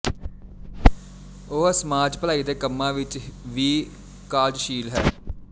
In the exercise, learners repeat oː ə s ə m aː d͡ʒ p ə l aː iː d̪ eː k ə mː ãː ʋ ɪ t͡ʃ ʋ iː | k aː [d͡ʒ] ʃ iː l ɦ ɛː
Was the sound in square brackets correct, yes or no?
yes